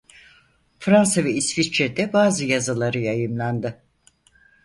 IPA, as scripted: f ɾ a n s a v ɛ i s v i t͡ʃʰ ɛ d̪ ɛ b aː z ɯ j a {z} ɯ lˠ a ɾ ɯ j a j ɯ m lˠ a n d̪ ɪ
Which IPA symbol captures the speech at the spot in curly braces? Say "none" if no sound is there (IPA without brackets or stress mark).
z